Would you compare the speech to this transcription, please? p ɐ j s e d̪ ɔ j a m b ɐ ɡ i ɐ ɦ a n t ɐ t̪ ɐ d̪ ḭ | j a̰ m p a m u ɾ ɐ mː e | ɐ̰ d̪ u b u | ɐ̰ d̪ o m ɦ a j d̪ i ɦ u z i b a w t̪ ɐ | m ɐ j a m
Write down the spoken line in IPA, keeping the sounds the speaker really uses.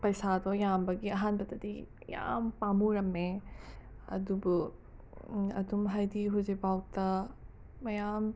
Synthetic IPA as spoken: p ɐ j s a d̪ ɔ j a m b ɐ ɡ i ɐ ɦ a n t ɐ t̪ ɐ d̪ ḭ | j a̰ m p a m u ɾ ɐ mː e | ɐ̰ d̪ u b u | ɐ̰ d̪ u m ɦ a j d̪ i ɦ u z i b a w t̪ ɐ | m ɐ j a m